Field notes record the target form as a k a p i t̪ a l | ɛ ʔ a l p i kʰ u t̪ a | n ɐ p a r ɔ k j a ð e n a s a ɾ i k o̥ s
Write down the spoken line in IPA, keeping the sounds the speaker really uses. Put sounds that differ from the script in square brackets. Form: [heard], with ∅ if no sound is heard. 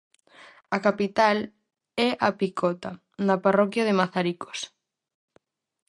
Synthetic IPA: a k a p i t̪ a l | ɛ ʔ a [∅] p i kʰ [ɔ] t̪ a | n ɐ p a r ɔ k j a ð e [m] a [θ] a ɾ i k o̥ s